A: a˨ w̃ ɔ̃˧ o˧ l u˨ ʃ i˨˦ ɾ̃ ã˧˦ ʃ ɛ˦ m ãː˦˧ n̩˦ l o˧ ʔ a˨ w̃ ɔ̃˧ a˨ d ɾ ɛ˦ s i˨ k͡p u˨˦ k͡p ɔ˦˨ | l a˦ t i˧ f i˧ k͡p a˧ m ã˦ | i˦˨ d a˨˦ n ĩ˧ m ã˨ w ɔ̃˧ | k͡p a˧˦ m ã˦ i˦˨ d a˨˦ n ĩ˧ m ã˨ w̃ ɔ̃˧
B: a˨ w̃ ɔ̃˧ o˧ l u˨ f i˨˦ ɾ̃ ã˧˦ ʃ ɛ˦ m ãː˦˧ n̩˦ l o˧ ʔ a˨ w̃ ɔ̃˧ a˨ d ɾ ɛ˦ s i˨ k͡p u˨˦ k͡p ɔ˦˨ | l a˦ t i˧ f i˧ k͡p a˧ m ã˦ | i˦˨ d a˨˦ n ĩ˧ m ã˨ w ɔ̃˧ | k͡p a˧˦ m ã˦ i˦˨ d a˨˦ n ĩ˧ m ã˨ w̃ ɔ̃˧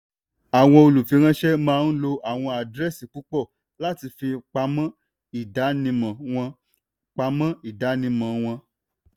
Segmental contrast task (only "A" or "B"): B